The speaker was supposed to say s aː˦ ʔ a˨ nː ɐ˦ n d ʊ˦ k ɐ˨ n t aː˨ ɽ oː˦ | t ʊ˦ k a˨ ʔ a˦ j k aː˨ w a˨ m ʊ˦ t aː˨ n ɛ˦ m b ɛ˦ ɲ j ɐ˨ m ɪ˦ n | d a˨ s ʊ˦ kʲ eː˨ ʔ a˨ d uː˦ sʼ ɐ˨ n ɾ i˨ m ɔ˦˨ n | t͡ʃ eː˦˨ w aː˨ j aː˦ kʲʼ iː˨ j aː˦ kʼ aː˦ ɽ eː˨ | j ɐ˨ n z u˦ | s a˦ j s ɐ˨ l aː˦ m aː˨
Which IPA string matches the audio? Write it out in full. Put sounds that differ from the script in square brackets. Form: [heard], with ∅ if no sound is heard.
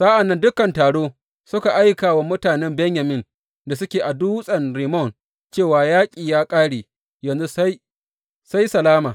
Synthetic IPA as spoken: s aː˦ ʔ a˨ nː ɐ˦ n d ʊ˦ k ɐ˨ n t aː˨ ɽ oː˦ | [s] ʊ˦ k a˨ ʔ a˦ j k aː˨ w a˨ m ʊ˦ t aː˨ n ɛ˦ m b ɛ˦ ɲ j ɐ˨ m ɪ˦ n | d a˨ s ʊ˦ kʲ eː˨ ʔ a˨ d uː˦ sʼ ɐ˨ n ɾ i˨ m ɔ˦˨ n | t͡ʃ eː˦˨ w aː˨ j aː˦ kʲʼ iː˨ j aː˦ kʼ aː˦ ɽ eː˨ | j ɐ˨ n z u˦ | s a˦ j s ɐ˨ l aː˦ m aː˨